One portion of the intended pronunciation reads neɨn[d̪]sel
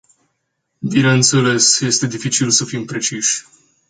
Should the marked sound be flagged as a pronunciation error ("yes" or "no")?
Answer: yes